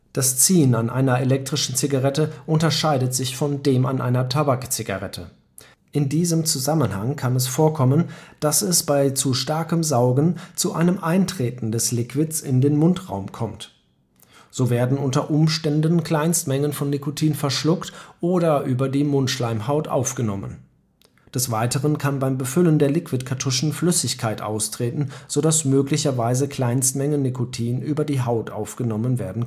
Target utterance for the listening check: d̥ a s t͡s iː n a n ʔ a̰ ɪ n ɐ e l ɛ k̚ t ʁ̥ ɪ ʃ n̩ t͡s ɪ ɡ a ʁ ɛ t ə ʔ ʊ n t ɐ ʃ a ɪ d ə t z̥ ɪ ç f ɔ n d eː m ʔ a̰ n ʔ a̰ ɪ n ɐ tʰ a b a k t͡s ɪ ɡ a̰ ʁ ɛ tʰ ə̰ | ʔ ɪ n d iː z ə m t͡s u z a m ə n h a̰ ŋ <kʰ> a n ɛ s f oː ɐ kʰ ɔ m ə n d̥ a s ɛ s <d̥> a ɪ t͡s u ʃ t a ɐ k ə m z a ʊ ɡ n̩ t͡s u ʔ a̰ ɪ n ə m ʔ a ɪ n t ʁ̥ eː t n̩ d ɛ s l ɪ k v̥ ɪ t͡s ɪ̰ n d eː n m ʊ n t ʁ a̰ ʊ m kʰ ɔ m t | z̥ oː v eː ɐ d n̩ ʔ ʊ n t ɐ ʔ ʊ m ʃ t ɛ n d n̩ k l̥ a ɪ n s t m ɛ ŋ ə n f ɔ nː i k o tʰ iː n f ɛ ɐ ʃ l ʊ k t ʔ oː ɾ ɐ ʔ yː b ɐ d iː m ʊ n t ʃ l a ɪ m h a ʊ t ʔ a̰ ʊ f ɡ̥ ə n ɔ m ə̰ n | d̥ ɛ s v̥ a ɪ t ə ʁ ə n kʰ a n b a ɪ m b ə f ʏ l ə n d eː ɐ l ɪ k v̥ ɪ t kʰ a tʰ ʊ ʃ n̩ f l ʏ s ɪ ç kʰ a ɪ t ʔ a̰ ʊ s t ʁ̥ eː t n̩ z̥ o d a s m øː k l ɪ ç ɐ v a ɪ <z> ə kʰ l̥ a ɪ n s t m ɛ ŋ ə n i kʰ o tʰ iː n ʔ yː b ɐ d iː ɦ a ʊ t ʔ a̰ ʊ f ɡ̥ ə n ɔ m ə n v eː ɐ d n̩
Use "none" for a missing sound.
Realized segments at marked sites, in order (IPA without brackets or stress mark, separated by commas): kʰ, b̥, z